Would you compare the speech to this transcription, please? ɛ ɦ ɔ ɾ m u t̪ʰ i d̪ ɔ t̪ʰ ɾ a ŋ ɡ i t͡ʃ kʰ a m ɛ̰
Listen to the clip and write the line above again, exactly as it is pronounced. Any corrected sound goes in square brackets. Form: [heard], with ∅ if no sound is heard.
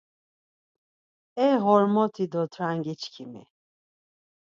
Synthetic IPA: ɛ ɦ ɔ ɾ m [ɔ] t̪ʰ i d̪ ɔ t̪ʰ ɾ a ŋ ɡ i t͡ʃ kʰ [i] m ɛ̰